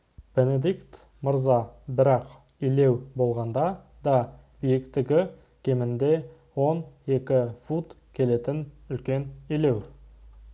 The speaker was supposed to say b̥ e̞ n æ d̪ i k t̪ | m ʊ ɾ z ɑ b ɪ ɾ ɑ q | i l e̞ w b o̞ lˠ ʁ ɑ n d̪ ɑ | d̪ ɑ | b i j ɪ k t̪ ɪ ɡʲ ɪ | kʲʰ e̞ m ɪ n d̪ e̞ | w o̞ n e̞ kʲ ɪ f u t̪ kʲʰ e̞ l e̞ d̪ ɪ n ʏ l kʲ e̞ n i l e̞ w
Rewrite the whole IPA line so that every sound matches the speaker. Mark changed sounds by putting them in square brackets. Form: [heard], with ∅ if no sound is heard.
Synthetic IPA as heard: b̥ e̞ n [e] d̪ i k t̪ | m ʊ ɾ z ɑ b ɪ ɾ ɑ q | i l e̞ w b o̞ lˠ ʁ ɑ n d̪ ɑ | d̪ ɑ | b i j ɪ k t̪ ɪ ɡʲ ɪ | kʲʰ e̞ m ɪ n d̪ e̞ | w o̞ n e̞ kʲ ɪ f u t̪ kʲʰ e̞ l e̞ [t̪] ɪ n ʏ l kʲ e̞ n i l e̞ w